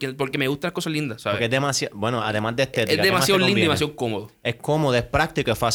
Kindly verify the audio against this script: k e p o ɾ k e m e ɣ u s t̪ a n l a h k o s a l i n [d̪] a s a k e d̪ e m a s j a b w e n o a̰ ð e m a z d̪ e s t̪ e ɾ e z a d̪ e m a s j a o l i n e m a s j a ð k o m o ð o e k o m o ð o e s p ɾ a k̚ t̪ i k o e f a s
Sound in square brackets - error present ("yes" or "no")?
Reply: no